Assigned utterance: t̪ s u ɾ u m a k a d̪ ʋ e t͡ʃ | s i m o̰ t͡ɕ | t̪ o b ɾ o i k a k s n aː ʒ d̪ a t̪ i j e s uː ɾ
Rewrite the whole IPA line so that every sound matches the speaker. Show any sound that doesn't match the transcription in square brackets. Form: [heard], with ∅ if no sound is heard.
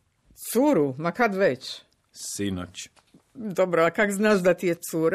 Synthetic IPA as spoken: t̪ s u ɾ u m a k a d̪ ʋ e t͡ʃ | s i [n] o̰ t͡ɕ | [d̪] o b ɾ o [a] k a k [z] n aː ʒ d̪ a t̪ i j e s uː ɾ